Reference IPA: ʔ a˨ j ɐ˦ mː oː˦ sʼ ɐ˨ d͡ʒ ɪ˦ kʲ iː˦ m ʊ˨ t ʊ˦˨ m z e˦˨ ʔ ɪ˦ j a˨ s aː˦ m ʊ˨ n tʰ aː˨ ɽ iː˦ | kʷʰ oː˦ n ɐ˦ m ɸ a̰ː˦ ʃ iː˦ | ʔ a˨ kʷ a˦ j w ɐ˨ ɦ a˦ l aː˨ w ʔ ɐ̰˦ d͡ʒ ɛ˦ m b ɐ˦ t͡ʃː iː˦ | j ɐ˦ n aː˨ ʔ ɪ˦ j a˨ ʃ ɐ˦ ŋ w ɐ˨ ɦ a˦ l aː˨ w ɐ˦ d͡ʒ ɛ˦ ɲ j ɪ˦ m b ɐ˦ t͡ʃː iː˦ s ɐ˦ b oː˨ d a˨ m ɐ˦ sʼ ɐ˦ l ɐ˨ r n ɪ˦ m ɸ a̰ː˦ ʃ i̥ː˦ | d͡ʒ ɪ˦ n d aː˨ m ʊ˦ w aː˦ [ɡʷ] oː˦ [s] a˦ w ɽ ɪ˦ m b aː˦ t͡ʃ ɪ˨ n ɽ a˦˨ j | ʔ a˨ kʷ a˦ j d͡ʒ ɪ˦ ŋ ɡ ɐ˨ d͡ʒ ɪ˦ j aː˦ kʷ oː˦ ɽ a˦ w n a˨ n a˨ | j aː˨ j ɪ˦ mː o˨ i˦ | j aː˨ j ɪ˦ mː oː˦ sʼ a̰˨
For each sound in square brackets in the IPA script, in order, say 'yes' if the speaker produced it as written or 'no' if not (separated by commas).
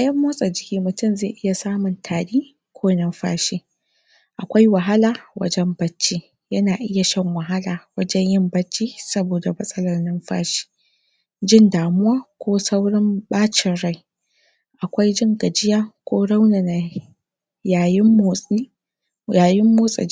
no, yes